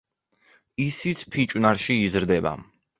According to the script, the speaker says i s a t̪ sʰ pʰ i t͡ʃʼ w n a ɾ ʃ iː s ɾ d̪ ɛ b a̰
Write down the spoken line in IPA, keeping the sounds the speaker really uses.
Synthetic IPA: i s i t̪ sʰ pʰ i t͡ʃʼ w n a ɾ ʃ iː z ɾ d̪ ɛ b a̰